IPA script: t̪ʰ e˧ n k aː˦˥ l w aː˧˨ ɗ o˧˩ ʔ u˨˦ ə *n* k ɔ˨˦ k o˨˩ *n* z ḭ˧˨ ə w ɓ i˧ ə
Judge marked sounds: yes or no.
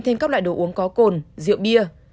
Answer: no, yes

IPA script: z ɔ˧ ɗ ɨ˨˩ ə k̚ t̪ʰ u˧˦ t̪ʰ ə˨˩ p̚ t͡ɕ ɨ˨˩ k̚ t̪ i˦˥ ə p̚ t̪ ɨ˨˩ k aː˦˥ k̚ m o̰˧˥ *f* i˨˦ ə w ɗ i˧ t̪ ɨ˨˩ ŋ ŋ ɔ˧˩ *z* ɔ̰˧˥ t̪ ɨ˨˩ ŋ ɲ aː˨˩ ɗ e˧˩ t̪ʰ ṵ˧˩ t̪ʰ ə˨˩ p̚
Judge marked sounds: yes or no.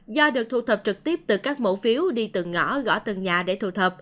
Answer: yes, no

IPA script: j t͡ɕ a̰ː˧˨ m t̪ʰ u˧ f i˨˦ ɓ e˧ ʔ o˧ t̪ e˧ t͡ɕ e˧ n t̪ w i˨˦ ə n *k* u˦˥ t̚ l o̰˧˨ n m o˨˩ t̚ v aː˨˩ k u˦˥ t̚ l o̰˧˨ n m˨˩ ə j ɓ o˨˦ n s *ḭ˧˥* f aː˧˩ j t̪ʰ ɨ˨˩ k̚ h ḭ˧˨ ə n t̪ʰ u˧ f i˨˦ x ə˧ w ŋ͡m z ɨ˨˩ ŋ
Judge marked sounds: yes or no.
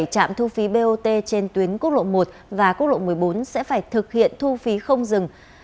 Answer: yes, no

